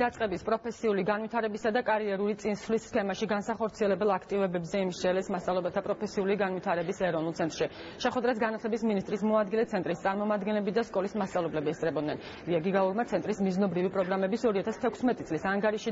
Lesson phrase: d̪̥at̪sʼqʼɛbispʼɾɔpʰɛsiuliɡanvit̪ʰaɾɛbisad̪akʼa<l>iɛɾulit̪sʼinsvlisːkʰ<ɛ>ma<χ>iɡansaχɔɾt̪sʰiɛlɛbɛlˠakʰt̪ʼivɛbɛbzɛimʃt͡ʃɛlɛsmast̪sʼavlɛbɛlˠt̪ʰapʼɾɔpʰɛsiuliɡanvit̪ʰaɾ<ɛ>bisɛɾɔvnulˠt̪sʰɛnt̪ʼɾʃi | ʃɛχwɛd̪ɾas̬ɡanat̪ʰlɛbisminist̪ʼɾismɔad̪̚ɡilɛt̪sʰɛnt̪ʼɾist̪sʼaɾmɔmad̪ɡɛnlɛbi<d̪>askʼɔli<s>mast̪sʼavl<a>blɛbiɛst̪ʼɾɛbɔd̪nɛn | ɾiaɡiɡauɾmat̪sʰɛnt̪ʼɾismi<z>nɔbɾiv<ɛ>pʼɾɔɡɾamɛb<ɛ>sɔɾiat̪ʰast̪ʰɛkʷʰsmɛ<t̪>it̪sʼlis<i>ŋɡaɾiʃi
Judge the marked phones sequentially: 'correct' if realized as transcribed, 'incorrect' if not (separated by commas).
incorrect, correct, incorrect, correct, correct, correct, incorrect, correct, incorrect, incorrect, incorrect, incorrect